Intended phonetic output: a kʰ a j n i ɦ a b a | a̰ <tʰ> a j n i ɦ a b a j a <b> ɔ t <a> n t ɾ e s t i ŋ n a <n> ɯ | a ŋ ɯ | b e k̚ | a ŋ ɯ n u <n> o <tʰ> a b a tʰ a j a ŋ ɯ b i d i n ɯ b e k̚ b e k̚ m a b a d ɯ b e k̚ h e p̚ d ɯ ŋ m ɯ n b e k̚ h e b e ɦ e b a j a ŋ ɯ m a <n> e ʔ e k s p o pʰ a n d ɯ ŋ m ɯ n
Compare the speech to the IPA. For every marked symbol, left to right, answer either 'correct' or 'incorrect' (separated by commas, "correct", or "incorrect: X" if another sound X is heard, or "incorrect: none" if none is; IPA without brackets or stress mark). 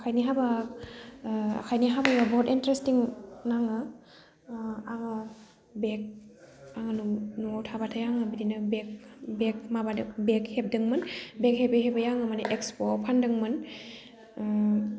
incorrect: kʰ, correct, incorrect: i, incorrect: ŋ, correct, correct, correct